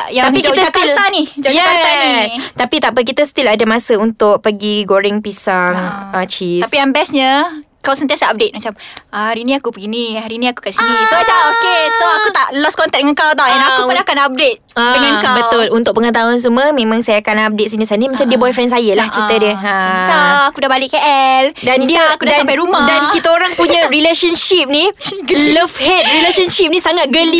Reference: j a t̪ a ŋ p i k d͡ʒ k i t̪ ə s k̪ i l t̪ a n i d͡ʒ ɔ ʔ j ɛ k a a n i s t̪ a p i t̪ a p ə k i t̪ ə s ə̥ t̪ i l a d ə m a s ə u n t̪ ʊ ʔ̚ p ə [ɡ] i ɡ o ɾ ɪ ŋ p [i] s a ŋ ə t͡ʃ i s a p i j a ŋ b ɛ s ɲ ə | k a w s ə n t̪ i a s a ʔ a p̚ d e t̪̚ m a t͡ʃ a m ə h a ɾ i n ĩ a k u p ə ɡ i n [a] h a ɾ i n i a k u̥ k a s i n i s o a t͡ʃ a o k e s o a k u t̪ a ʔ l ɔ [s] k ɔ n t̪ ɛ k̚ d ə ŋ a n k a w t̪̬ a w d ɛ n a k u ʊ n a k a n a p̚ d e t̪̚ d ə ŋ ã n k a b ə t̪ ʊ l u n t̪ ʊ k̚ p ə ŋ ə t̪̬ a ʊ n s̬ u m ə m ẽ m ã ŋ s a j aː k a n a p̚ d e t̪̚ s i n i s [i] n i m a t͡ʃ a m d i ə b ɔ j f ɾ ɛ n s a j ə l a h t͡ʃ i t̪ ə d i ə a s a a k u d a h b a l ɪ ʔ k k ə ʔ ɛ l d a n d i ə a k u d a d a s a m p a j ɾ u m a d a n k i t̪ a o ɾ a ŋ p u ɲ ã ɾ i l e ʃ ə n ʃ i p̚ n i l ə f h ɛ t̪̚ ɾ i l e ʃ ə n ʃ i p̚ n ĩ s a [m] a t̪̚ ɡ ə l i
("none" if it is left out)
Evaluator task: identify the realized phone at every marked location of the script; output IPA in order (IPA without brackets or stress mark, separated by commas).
ɡ, i, i, s, a, ŋ